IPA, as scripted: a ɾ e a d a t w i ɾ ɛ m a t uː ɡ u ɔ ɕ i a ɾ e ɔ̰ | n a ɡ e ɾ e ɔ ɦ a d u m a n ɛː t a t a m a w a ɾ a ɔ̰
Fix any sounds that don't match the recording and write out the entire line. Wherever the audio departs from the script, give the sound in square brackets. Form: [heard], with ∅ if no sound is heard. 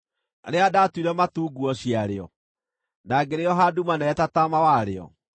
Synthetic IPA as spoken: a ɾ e a d a t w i ɾ ɛ m a t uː ɡ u ɔ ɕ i a ɾ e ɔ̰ | n a ɡ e ɾ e ɔ ɦ a d u m a n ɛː t a t a m a w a ɾ [e] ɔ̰